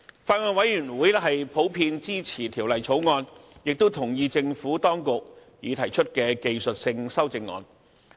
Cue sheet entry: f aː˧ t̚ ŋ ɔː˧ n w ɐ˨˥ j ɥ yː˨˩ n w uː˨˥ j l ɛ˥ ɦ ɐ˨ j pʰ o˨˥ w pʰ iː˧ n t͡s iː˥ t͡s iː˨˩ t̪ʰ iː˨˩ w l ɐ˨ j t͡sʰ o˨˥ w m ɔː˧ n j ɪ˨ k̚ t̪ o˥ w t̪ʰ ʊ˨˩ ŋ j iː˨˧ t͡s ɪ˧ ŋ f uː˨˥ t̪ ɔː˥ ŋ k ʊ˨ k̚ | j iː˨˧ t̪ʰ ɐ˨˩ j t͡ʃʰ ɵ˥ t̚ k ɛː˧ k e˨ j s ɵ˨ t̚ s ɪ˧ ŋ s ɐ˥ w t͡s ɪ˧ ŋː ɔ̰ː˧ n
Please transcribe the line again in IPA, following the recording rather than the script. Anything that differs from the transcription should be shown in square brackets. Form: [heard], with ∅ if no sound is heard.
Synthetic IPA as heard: f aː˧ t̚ ŋ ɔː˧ n w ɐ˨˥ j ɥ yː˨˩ n w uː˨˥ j l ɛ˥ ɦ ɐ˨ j pʰ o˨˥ w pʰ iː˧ n t͡s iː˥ [t͡sʰ] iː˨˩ t̪ʰ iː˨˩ w l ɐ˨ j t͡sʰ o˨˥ w [ŋ] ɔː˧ n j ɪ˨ k̚ t̪ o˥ w t̪ʰ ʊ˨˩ ŋ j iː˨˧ t͡s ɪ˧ ŋ f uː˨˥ t̪ ɔː˥ ŋ k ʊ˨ k̚ | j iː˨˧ t̪ʰ ɐ˨˩ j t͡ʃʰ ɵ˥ t̚ k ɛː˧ k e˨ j s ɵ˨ t̚ s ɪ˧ ŋ s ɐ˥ w t͡s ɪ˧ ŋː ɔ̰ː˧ n